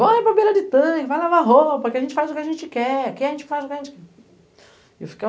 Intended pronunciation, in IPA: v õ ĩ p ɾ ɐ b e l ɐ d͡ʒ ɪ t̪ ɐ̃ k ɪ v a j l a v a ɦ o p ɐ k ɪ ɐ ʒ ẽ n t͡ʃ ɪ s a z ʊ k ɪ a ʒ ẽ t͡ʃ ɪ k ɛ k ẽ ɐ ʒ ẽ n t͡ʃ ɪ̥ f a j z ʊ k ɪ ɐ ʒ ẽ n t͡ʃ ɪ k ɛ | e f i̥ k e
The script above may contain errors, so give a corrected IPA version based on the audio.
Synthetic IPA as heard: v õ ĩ p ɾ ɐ b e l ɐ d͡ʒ ɪ t̪ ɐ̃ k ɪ v a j l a v a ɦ o p ɐ k ɪ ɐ ʒ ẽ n t͡ʃ ɪ f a z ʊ k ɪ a ʒ ẽ t͡ʃ ɪ k ɛ k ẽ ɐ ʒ ẽ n t͡ʃ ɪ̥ f a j z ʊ k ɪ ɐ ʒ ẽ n t͡ʃ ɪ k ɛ | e f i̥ k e